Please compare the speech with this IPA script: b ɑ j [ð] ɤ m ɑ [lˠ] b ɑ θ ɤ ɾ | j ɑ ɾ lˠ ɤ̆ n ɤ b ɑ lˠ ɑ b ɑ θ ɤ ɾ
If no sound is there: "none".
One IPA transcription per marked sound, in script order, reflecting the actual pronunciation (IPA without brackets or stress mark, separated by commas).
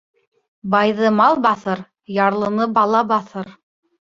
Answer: ð, lˠ